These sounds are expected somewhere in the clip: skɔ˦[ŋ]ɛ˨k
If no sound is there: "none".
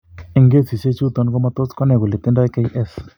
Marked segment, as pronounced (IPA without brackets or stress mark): n